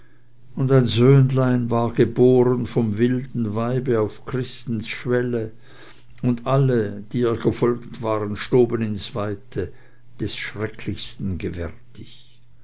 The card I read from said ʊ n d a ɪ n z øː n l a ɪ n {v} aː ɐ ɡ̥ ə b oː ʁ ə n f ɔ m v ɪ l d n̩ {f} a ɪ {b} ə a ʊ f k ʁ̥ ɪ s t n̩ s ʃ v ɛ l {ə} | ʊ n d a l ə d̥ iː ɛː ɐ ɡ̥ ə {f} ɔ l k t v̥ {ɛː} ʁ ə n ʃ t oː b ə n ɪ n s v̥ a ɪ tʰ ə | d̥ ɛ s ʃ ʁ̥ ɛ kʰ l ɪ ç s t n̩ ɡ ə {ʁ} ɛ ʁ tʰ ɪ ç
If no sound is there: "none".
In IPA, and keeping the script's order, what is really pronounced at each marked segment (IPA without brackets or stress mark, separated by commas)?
v, v, b, ə, f, aː, v